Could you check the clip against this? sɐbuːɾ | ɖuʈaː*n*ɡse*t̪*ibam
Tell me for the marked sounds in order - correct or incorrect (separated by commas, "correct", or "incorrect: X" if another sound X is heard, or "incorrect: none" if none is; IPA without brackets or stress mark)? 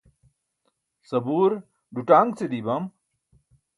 incorrect: ŋ, incorrect: d̪